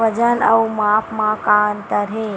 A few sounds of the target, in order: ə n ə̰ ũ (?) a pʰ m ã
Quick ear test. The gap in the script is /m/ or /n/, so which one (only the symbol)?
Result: m